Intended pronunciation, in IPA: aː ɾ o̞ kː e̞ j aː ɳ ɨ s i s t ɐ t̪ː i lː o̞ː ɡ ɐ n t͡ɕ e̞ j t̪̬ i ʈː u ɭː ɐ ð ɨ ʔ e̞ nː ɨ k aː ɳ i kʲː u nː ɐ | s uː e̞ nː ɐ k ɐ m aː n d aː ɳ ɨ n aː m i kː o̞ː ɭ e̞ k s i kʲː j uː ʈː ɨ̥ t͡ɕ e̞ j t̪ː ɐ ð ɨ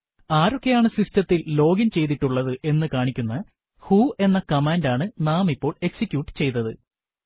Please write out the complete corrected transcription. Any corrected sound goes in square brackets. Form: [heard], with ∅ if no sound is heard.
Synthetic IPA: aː ɾ o̞ kː e̞ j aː ɳ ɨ s i s t ɐ t̪ː i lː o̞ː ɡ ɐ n t͡ɕ e̞ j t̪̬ i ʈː u ɭː ɐ ð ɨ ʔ e̞ nː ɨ k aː ɳ i kʲː u nː ɐ | [h] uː e̞ nː ɐ k ɐ m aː n d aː ɳ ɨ n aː m i [pː] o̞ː ɭ e̞ k s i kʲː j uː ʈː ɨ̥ t͡ɕ e̞ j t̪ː ɐ ð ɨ